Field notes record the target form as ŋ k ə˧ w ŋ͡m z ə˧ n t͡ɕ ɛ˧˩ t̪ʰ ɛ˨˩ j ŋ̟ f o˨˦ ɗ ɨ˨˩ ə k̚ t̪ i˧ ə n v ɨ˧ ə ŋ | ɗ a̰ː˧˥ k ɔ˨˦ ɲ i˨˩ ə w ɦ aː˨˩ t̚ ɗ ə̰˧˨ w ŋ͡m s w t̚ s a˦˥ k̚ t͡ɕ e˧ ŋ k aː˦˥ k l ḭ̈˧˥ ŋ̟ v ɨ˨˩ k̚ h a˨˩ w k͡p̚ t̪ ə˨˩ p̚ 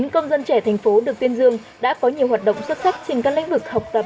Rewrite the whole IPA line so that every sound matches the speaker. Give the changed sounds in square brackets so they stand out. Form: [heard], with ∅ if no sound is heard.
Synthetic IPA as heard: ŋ k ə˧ w ŋ͡m z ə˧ n t͡ɕ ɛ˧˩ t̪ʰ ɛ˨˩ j ŋ̟ f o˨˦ ɗ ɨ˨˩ ə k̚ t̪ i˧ ə n [z] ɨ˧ ə ŋ | ɗ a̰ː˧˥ k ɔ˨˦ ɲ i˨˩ ə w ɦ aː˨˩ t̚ ɗ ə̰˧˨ w ŋ͡m s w t̚ s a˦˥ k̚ t͡ɕ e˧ ŋ k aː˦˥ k l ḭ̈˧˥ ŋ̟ v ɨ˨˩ k̚ h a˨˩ w k͡p̚ t̪ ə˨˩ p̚